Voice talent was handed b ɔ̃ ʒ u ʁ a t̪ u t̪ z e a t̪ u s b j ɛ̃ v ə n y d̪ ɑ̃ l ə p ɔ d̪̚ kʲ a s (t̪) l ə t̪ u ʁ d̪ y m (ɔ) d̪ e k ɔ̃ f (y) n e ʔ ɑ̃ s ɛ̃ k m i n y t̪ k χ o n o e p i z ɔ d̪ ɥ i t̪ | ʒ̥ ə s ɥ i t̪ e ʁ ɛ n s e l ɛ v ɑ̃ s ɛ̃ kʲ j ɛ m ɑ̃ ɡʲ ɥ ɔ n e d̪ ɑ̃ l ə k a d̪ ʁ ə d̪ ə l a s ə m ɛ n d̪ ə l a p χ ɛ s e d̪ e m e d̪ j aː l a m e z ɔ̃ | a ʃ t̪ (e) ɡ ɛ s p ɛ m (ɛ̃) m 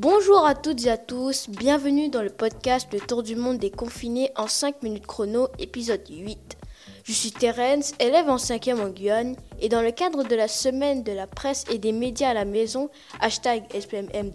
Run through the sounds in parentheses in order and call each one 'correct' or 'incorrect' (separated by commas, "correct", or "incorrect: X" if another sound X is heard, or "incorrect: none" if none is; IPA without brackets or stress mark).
correct, incorrect: ɔ̃, incorrect: i, incorrect: a, incorrect: ɛ